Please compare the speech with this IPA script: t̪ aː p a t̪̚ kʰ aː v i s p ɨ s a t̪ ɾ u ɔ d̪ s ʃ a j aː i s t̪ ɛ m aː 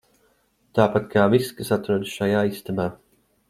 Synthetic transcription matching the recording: t̪ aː p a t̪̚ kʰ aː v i s k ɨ s a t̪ ɾ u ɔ d̪ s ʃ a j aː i s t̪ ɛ m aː